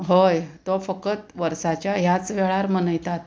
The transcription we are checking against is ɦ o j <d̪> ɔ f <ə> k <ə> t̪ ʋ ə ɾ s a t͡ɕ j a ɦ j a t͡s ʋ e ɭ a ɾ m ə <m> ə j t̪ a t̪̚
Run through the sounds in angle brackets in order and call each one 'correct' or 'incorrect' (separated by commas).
incorrect, correct, correct, incorrect